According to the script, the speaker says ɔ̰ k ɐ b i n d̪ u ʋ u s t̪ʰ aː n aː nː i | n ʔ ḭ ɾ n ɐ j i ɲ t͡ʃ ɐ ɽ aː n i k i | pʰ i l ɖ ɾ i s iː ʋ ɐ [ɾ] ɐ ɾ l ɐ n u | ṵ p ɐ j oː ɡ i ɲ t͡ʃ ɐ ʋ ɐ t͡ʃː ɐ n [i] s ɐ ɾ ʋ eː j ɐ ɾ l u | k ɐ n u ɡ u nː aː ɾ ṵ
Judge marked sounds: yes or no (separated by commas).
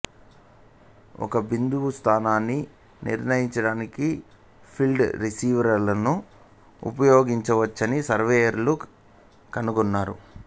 yes, yes